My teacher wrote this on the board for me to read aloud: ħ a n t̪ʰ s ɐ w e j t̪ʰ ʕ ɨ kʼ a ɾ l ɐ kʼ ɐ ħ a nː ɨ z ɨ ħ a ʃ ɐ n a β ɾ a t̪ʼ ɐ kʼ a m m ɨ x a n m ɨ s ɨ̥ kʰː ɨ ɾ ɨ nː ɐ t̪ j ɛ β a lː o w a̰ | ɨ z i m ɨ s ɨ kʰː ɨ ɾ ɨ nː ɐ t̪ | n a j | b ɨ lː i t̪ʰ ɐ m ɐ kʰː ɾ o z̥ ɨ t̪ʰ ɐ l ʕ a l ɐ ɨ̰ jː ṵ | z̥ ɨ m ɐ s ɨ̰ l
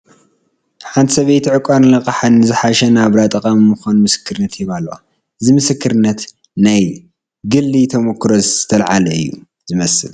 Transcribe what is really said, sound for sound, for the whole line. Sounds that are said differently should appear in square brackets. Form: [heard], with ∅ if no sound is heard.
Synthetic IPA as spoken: ħ a n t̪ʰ s ɐ [β] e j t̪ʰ ʕ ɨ kʼ a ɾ l ɐ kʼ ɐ ħ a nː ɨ z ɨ ħ a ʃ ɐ n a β ɾ a t̪ʼ ɐ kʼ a m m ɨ x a n m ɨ s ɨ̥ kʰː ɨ ɾ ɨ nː ɐ t̪ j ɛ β a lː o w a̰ | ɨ z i m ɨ s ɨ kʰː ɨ ɾ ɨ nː ɐ t̪ | n a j | [ɡ] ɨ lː i t̪ʰ ɐ m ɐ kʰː ɾ o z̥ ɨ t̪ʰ ɐ l ʕ a l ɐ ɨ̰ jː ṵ | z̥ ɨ m ɐ s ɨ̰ l